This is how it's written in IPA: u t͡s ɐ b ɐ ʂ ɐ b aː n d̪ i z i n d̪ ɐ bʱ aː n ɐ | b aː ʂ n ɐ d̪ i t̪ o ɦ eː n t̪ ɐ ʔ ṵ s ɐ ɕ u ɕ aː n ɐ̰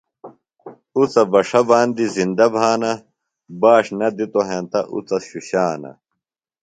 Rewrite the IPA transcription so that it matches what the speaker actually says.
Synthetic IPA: u t͡s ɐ b ɐ ʂ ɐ b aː n d̪ i z i n d̪ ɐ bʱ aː n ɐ | b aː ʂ n ɐ d̪ i t̪ o ɦ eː n t̪ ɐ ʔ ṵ t͡s ɐ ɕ u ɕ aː n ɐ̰